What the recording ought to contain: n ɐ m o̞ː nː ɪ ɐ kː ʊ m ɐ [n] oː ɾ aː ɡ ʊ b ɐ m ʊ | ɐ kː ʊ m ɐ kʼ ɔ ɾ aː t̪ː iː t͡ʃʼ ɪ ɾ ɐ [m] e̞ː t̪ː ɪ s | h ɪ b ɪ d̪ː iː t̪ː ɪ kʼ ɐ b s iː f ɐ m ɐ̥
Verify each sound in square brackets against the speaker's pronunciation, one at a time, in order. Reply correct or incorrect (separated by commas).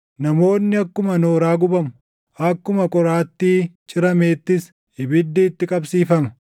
correct, correct